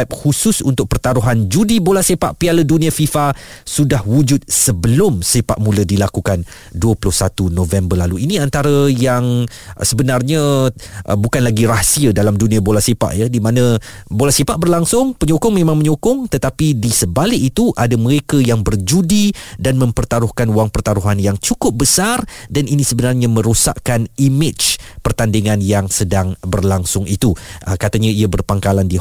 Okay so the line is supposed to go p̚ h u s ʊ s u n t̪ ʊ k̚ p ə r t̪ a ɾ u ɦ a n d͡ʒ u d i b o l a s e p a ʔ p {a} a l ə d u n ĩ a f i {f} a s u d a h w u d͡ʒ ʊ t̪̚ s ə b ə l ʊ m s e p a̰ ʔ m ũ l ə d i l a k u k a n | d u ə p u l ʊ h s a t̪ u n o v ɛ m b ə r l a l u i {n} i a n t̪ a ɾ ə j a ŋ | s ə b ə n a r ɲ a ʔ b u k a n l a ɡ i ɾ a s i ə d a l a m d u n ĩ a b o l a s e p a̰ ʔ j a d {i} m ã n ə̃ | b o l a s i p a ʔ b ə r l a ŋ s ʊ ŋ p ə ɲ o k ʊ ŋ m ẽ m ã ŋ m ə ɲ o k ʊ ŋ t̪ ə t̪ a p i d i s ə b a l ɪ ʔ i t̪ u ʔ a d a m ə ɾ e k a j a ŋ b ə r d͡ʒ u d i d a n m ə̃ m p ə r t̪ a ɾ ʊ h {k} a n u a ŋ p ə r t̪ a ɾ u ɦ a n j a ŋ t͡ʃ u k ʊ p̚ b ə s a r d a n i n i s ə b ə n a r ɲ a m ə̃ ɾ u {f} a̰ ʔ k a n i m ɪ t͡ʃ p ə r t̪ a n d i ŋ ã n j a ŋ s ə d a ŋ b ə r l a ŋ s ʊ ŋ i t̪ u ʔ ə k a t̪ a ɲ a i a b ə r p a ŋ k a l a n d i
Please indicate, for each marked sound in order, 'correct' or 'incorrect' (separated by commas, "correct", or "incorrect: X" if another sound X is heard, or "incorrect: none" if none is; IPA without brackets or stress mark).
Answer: incorrect: i, correct, correct, correct, correct, incorrect: s